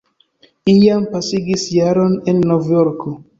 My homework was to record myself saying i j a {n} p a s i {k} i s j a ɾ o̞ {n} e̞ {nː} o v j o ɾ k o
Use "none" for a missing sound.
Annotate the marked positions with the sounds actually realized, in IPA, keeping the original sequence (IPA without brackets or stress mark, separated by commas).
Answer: m, ɡ, n, nː